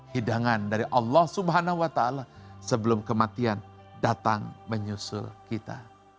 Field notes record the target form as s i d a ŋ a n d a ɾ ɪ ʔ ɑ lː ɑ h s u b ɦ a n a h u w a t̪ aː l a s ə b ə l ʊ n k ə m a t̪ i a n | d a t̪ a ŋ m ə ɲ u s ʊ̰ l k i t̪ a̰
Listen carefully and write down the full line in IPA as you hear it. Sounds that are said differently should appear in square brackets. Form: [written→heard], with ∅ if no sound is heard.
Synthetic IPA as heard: [s→h] i d a ŋ a n d a ɾ [ɪ→i] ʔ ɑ lː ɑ h s u b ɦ a n a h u w a t̪ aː l a s ə b ə l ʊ [n→m] k ə m a t̪ i a n | d a t̪ a ŋ m ə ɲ u s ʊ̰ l k i t̪ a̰

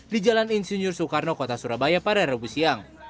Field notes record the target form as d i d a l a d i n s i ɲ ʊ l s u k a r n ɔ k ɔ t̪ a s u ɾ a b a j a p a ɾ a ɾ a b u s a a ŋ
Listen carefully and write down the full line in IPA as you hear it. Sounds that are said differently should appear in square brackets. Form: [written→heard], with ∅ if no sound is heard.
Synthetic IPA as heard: d i [d→d͡ʒ] a l a [d→n] i n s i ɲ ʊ [l→r] s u k a r n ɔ k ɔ t̪ a s u ɾ a b a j a p a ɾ a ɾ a b u s [a→i] a ŋ

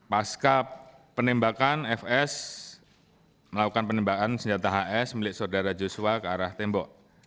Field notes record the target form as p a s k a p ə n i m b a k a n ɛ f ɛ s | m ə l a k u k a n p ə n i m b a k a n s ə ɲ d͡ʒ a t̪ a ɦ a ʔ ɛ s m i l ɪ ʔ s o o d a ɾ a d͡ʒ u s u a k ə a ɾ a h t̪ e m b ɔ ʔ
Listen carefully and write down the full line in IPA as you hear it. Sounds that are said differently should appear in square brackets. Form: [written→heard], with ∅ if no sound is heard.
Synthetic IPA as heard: p a s k a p ə n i m b a k a n ɛ f ɛ s | m ə l a k u k a n p ə n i m b a k a n s ə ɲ d͡ʒ a t̪ a ɦ a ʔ ɛ s m i l ɪ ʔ s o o d a ɾ a d͡ʒ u s u a k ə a ɾ a h t̪ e m b ɔ ʔ

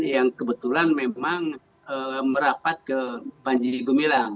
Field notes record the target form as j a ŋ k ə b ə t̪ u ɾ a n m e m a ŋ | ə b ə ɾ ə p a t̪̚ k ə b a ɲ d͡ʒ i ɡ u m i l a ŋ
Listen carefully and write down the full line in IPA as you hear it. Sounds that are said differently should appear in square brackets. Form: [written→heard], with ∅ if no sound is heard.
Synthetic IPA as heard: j a ŋ k ə b ə t̪ u [ɾ→l] a n m e m a ŋ | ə [b→m] ə ɾ [ə→a] p a t̪̚ k ə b a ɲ d͡ʒ i ɡ u m i l a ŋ

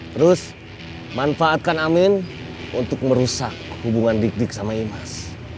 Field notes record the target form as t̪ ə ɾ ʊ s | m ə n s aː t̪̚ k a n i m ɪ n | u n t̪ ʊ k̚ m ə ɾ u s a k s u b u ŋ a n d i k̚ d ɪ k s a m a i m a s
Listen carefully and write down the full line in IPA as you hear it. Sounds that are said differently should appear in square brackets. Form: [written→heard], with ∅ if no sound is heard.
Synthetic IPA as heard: t̪ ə ɾ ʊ s | m [ə→a] n [s→f] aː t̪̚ k a n [i→a] m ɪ n | u n t̪ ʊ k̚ m ə ɾ u s a k [s→h] u b u ŋ a n d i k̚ d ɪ k s a m a i m a s

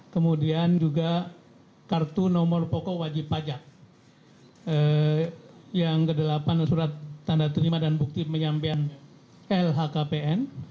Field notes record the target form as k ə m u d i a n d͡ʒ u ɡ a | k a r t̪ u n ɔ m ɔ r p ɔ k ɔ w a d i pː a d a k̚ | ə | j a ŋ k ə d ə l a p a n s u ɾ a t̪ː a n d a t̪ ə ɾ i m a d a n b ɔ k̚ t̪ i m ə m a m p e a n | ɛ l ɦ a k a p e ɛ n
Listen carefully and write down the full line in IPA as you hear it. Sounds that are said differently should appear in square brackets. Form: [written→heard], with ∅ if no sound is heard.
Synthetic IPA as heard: k ə m u d i a n d͡ʒ u ɡ a | k a r t̪ u n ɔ m ɔ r p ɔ k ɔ w a [d→d͡ʒ] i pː a [d→d͡ʒ] a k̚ | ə | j a ŋ k ə d ə l a p a n s u ɾ a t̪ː a n d a t̪ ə ɾ i m a d a n b [ɔ→u] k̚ t̪ i m ə [m→ɲ] a m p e a n | ɛ l ɦ a k a p e ɛ n

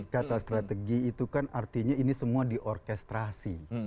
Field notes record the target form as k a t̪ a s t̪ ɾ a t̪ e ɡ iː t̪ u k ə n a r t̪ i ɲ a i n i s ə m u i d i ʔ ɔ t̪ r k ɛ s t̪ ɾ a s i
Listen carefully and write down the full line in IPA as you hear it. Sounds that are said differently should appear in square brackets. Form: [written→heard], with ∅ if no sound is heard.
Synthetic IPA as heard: k a t̪ a s t̪ ɾ a t̪ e ɡ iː t̪ u k [ə→a] n a r t̪ i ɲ a i n i s ə m u [i→a] d i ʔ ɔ [t̪→∅] r k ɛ s t̪ ɾ a s i

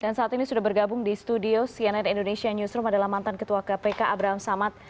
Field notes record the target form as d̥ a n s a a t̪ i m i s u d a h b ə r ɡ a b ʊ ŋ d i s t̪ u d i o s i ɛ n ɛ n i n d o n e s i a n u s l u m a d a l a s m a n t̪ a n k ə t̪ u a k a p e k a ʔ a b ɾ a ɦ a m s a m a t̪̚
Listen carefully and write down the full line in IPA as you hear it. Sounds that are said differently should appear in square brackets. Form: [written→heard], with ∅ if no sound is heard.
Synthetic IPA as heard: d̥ a n s a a t̪ i [m→n] i s u d a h b ə r ɡ a b ʊ ŋ d i s t̪ u d i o s i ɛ n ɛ n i n d o n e s i a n u s [l→ɾ] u m a d a l a [s→h] m a n t̪ a n k ə t̪ u a k a p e k a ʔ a b ɾ a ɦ a m s a m a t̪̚

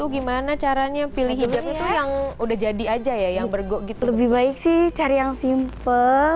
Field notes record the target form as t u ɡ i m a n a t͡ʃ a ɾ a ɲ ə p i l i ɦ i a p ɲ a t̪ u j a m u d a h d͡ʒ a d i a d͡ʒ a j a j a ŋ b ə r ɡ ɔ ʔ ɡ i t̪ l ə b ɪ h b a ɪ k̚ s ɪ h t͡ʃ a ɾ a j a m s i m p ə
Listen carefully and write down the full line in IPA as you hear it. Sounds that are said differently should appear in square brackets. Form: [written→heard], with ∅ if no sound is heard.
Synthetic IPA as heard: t u ɡ i m a n a t͡ʃ a ɾ a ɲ [ə→a] p i l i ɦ i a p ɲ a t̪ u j a [m→ŋ] u d a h d͡ʒ a d i a d͡ʒ a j a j a ŋ b ə r ɡ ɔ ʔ ɡ i t̪ l ə b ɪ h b a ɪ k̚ s ɪ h t͡ʃ a ɾ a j a [m→ŋ] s i m p ə

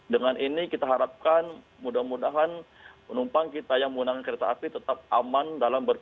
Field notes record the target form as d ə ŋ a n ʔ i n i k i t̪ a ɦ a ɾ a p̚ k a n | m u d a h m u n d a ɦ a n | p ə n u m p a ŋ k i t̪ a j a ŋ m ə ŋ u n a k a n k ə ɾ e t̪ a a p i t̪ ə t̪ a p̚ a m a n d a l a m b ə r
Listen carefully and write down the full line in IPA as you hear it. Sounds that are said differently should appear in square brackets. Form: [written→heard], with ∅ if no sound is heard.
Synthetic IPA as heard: d ə ŋ a n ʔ i n i k i t̪ a ɦ a ɾ a p̚ k a n | m u d a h m u [n→∅] d a ɦ a n | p ə n u m p a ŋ k i t̪ a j a ŋ m ə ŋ u n a k a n k ə ɾ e t̪ a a p i t̪ ə t̪ a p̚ a m a n d a l a m b ə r

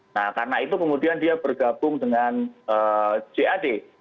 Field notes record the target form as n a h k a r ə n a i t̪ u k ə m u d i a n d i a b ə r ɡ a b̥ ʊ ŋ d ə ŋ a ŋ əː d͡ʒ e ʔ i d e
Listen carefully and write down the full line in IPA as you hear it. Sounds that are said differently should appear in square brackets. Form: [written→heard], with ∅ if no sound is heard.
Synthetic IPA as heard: n a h k a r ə n a i t̪ u k ə m u d i a n d i a b ə r ɡ a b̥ ʊ ŋ d ə ŋ a [ŋ→n] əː d͡ʒ e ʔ [i→a] d e

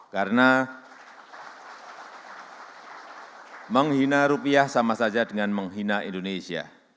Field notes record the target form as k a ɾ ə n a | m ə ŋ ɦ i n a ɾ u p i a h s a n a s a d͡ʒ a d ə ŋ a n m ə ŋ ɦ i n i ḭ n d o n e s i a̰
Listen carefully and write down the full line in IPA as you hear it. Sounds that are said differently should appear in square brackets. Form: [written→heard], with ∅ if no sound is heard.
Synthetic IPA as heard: k a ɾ ə n a | m ə ŋ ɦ i n a ɾ u p i a h s a [n→m] a s a d͡ʒ a d ə ŋ a n m ə ŋ ɦ i n [i→a] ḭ n d o n e s i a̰

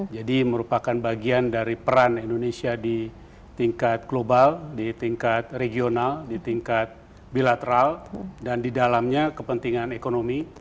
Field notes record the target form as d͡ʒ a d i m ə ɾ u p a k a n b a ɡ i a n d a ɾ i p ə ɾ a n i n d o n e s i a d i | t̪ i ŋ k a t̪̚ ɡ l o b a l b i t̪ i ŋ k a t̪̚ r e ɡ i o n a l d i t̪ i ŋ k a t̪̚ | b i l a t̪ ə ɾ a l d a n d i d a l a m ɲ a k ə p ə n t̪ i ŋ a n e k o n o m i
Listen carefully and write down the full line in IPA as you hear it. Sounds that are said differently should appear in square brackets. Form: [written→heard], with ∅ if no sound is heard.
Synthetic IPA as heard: d͡ʒ a d i m ə ɾ u p a k a n b a ɡ i a n d a ɾ i p ə ɾ a n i n d o n e s i a d i | t̪ i ŋ k a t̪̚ ɡ l o b a l [b→d] i t̪ i ŋ k a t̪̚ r e ɡ i o n a l d i t̪ i ŋ k a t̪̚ | b i l a t̪ ə ɾ a l d a n d i d a l a m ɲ a k ə p ə n t̪ i ŋ a n e k o n o m i

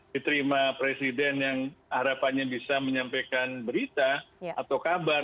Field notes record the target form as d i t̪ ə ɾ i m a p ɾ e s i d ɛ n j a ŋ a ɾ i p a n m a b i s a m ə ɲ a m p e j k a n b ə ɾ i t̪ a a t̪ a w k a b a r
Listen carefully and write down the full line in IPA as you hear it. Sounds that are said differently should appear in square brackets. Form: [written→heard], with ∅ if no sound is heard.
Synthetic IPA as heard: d i t̪ ə ɾ i m a p ɾ e s i d ɛ n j a ŋ a ɾ [i→a] p a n [m→ɲ] a b i s a m ə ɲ a m p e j k a n b ə ɾ i t̪ a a t̪ a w k a b a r

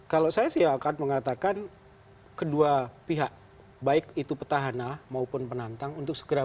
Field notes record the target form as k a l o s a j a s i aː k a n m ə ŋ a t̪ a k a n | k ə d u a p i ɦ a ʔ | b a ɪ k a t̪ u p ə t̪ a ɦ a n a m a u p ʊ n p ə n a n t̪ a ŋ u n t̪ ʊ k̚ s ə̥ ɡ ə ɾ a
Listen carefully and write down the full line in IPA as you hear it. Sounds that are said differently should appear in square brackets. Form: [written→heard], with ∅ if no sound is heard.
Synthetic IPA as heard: k a l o s a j a s i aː k a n m ə ŋ a t̪ a k a n | k ə d u a p i ɦ a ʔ | b a ɪ k [a→i] t̪ u p ə t̪ a ɦ a n a m a u p ʊ n p ə n a n t̪ a ŋ u n t̪ ʊ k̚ s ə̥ ɡ ə ɾ a

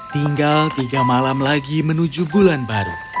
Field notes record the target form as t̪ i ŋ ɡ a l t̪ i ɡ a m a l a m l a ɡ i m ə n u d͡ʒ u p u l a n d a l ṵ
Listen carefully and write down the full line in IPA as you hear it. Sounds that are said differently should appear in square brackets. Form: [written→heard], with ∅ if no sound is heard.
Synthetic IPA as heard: t̪ i ŋ ɡ a l t̪ i ɡ a m a l a m l a ɡ i m ə n u d͡ʒ u [p→b] u l a n [d→b] a [l→ɾ] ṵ

